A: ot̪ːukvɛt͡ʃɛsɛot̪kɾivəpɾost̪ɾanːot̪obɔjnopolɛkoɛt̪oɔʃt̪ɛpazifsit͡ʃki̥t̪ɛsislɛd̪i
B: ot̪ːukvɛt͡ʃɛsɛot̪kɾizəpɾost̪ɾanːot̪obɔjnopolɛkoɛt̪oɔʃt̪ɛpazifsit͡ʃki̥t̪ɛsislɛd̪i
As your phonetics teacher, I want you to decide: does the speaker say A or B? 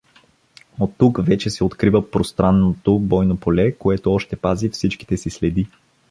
A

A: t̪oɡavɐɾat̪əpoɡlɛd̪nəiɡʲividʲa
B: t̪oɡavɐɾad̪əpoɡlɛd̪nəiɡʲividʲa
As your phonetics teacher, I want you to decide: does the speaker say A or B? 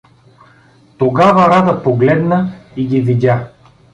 B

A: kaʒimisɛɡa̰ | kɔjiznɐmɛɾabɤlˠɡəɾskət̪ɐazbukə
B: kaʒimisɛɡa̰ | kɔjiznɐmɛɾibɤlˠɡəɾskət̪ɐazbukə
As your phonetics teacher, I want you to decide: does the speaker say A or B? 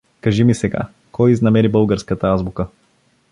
B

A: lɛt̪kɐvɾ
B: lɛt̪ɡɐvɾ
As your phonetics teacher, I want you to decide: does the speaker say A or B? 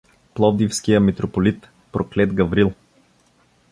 B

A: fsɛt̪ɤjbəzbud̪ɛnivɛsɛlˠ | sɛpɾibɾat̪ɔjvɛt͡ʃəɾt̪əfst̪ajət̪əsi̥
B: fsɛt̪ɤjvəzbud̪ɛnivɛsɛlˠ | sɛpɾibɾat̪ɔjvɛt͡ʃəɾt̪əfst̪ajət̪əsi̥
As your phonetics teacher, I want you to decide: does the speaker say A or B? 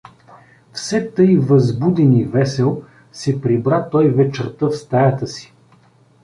B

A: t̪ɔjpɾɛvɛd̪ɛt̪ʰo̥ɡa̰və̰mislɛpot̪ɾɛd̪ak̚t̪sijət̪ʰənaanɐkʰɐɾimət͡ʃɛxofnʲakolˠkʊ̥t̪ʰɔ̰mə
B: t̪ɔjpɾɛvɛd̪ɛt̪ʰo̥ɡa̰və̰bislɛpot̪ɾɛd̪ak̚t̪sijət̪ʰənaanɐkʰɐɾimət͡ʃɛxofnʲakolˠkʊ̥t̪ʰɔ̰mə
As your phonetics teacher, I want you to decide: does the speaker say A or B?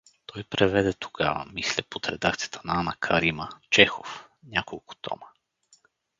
A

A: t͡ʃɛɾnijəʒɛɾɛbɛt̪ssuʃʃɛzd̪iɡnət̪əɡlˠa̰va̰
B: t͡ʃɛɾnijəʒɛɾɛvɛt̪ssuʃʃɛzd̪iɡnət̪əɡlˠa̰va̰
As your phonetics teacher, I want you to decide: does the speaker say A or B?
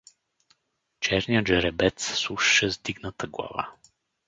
A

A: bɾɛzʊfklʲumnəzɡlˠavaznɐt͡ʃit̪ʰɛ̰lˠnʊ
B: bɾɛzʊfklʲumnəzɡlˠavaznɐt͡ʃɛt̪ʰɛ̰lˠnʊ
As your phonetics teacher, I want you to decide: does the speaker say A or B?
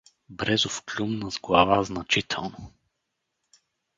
A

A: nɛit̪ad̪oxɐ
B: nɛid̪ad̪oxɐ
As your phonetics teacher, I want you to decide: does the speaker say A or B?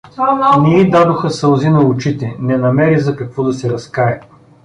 B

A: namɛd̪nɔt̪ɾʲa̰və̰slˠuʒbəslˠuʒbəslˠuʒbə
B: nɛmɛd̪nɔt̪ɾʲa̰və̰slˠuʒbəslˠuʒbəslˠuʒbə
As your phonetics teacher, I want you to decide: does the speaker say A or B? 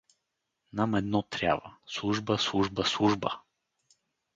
A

